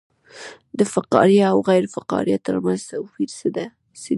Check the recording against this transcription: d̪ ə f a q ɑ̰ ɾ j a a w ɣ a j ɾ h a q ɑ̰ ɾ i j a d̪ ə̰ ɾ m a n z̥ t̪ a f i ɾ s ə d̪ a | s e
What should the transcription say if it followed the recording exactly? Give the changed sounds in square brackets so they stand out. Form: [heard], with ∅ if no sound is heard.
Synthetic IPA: d̪ ə f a q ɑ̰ ɾ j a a w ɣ a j ɾ [f] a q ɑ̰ ɾ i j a [t̪] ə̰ ɾ m a n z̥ t̪ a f i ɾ s ə d̪ a | s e